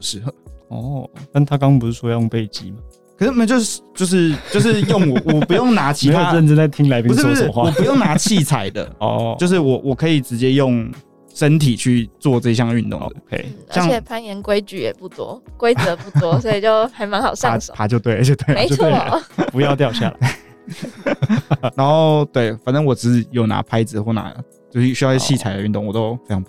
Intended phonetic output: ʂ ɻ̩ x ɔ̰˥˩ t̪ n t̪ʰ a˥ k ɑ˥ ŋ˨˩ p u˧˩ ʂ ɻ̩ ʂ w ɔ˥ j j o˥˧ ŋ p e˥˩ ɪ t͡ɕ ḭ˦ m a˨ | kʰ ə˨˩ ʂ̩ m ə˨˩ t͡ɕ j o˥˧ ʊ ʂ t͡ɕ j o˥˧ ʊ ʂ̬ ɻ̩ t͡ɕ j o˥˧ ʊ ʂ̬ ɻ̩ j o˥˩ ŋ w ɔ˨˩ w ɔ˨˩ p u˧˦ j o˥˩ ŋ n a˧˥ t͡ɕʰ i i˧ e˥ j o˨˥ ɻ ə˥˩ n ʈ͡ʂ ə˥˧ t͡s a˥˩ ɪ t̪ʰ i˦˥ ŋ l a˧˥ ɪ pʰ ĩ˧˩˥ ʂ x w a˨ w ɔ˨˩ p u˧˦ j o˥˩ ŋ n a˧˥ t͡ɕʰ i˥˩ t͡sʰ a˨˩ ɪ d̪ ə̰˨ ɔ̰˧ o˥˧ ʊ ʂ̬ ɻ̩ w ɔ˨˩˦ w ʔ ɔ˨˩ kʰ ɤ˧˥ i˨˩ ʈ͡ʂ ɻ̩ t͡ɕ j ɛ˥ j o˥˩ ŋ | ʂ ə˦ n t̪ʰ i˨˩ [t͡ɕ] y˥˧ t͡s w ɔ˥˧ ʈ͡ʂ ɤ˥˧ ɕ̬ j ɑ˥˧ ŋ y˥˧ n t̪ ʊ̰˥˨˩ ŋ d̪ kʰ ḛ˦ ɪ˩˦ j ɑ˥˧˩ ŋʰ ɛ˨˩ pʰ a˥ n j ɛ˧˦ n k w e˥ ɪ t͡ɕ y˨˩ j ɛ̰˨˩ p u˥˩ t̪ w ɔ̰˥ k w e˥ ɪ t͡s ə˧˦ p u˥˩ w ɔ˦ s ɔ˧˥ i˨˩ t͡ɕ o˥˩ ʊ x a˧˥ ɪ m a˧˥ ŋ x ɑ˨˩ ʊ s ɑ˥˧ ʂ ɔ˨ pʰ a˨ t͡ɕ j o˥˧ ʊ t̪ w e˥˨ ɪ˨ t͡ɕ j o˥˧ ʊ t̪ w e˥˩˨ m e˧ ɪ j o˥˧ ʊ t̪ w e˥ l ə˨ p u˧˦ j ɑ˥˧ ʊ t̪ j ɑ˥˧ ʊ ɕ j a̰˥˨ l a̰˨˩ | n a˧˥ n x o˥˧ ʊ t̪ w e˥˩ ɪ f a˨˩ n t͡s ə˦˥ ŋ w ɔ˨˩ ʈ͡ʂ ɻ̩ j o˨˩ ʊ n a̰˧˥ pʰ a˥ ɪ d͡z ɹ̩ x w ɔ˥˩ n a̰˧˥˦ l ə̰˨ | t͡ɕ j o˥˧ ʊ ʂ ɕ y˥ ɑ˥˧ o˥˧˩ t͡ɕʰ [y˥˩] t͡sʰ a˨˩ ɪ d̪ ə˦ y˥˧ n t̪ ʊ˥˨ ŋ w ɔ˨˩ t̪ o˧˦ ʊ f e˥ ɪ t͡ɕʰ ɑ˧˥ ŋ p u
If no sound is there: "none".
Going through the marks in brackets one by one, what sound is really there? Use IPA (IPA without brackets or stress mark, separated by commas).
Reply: t͡ɕʰ, i˥˩